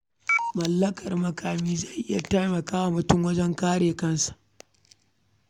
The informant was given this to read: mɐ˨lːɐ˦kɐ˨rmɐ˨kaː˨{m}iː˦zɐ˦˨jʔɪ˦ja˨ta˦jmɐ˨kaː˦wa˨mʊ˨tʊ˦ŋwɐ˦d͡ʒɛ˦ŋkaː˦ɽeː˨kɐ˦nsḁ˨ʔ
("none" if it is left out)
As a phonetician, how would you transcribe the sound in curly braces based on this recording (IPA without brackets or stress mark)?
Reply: m